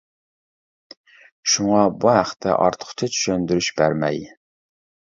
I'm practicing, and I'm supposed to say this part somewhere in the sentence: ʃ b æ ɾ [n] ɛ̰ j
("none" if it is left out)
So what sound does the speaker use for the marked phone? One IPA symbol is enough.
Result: m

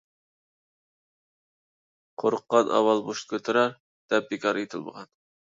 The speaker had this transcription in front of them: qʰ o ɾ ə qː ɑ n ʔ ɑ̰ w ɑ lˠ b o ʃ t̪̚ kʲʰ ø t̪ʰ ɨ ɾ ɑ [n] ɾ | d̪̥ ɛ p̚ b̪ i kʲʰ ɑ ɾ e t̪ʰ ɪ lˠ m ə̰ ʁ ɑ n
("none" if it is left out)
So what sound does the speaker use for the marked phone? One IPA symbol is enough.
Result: none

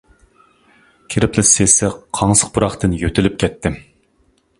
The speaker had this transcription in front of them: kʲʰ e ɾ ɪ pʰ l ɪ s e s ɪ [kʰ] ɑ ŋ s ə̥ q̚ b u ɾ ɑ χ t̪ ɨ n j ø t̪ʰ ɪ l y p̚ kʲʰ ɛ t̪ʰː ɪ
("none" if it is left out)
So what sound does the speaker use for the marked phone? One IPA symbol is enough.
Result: qʰ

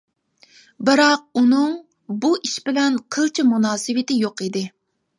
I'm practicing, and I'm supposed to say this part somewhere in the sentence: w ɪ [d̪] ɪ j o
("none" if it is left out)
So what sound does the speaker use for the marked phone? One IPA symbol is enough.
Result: t̪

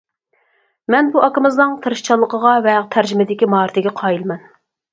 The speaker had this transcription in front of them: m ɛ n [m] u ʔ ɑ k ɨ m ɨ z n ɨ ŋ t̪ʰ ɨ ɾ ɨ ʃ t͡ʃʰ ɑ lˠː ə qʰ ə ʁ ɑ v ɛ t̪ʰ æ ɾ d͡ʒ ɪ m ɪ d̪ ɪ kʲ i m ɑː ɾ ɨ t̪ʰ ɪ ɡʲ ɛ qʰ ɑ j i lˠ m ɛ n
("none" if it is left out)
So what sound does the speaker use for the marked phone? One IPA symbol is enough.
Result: b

